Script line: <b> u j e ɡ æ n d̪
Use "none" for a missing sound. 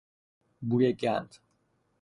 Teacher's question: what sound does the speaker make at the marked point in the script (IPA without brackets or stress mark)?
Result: b